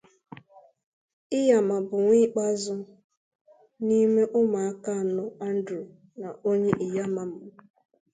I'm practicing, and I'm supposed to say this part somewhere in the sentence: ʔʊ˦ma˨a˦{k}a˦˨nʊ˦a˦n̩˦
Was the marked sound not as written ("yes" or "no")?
no